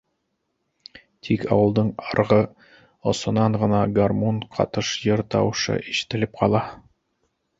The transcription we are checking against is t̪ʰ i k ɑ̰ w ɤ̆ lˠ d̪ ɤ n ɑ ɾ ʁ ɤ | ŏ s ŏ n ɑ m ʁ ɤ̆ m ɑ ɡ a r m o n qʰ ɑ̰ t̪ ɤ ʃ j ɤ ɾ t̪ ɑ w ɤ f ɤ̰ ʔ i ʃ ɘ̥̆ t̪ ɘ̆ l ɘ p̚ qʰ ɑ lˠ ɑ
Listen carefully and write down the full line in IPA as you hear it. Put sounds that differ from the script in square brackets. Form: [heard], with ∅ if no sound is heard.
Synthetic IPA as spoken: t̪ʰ i k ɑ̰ w ɤ̆ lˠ d̪ ɤ [ɴ] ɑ ɾ ʁ ɤ | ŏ s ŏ n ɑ [ɴ] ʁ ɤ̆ [n] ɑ ɡ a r m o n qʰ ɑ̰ t̪ ɤ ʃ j ɤ ɾ t̪ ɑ w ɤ [ʃ] ɤ̰ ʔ i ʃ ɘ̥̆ t̪ ɘ̆ l ɘ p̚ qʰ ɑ lˠ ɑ